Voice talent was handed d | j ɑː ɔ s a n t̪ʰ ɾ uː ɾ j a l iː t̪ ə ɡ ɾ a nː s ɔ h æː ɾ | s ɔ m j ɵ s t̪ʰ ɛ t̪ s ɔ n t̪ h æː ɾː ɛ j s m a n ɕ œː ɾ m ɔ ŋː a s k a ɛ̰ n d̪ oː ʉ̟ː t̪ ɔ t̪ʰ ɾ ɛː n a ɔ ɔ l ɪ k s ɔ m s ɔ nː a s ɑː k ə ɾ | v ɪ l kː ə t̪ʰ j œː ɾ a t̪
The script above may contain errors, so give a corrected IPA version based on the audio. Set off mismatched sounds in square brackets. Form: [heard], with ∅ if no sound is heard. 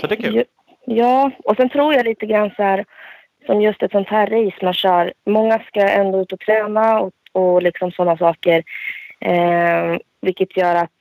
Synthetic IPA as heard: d | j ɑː ɔ s [ɛ] n t̪ʰ ɾ uː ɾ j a l iː t̪ ə ɡ ɾ a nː s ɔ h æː ɾ | s ɔ m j ɵ s [t̪] ɛ t̪ s ɔ n t̪ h æː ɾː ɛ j s m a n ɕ œː ɾ m ɔ ŋː a s k a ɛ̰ n d̪ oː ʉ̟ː t̪ ɔ t̪ʰ ɾ ɛː n a ɔ ɔ l ɪ k s ɔ m s ɔ nː a s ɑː k ə ɾ | v ɪ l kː ə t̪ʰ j œː ɾ a t̪